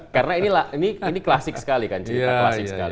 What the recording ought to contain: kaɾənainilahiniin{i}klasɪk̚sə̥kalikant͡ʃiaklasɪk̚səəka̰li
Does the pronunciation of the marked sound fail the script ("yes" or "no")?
no